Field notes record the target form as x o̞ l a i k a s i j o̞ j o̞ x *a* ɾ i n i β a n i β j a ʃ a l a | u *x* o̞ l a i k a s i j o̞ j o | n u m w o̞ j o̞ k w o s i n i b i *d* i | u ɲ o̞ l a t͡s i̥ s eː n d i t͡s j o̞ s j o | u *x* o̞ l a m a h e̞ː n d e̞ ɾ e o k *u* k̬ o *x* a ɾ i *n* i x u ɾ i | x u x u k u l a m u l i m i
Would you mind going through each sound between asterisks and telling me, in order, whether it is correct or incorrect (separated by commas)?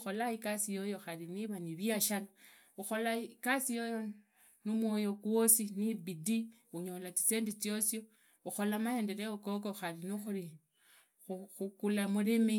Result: correct, correct, correct, correct, incorrect, correct, correct